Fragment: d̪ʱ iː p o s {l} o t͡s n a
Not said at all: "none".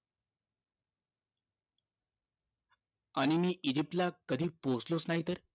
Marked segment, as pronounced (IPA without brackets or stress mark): l